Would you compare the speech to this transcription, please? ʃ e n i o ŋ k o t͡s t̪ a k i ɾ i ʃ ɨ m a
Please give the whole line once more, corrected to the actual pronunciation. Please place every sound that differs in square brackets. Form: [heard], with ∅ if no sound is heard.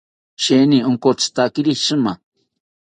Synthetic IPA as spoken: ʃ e n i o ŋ k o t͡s t̪ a k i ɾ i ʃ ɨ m a